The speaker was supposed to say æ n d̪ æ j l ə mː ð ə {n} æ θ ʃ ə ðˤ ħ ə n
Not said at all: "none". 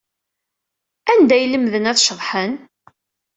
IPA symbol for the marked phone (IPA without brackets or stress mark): n